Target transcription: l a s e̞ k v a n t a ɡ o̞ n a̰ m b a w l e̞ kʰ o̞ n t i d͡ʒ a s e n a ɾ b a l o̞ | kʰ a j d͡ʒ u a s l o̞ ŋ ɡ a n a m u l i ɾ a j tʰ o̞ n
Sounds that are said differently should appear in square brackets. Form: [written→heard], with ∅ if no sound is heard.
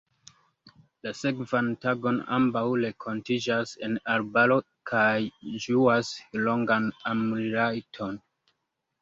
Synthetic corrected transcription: l a s e̞ k v a n t a ɡ o̞ n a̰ m b a w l e̞ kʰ o̞ n t i d͡ʒ a s e n a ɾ b a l o̞ | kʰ a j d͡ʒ u a s l o̞ ŋ ɡ a n a m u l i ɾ a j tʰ o̞ n